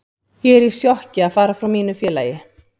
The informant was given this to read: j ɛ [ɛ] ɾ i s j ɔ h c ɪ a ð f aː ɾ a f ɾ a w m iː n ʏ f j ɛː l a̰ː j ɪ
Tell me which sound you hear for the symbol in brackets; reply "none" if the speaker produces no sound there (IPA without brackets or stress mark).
ɛ